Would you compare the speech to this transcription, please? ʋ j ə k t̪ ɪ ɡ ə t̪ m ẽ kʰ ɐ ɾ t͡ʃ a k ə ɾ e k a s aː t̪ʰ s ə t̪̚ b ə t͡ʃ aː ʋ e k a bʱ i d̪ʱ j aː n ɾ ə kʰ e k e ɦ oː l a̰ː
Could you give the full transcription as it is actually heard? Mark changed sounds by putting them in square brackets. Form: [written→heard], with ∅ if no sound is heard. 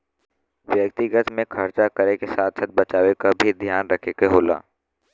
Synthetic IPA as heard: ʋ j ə k t̪ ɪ ɡ ə t̪ m ẽ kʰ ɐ ɾ t͡ʃ a k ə ɾ e k [a→e] s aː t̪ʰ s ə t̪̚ b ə t͡ʃ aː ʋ e k a bʱ i d̪ʱ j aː n ɾ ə kʰ e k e ɦ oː l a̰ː

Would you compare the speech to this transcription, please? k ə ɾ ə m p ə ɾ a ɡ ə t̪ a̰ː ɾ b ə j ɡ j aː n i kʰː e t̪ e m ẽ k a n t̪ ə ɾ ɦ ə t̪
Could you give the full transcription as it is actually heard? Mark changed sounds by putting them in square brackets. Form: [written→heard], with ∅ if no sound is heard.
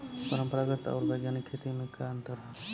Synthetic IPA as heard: [k→p] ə ɾ ə m p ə ɾ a ɡ ə t̪ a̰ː ɾ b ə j ɡ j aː n i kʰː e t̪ [e→i] m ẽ k a n t̪ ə ɾ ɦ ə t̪

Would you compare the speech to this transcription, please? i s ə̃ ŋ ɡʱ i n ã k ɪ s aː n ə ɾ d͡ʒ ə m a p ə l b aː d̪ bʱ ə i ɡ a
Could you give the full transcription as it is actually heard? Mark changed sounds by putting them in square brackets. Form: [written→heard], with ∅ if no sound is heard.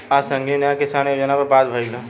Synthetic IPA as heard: [i→a] s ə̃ ŋ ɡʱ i n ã k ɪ s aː n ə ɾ d͡ʒ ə [m→n] a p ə [l→ɾ] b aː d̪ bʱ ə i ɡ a

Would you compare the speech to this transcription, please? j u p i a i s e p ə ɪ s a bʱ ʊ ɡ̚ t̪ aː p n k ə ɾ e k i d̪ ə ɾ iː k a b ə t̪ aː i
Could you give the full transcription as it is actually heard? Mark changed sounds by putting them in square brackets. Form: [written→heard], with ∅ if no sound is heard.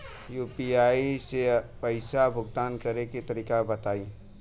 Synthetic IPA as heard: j u p i a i s e p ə ɪ s a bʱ ʊ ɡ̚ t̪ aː [p→∅] n k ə ɾ e k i [d̪→t̪] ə ɾ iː k a b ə t̪ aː i

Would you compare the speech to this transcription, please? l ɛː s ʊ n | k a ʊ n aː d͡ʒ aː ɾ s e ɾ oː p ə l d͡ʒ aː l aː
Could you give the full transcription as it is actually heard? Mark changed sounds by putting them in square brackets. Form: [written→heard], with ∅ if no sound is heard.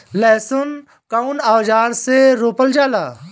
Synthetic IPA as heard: l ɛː s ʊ n | k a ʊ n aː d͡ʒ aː ɾ s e ɾ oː p ə l d͡ʒ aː l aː

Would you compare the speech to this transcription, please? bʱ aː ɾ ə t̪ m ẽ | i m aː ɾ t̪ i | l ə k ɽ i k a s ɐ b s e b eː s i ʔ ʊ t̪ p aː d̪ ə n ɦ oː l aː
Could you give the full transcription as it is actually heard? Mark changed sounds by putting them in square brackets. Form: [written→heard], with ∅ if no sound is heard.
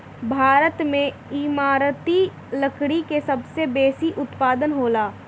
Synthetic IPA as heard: bʱ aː ɾ ə t̪ m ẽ | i m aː ɾ t̪ i | l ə k ɽ i k [a→e] s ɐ b s e b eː s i ʔ ʊ t̪ p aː d̪ ə n ɦ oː l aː

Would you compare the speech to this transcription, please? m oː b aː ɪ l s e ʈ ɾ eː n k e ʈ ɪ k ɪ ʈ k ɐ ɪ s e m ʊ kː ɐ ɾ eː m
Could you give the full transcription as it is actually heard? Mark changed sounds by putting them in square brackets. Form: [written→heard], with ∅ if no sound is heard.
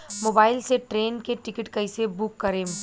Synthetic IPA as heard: m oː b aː ɪ l s e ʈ ɾ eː n k e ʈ ɪ k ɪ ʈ k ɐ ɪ s e [m→b] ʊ kː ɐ ɾ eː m

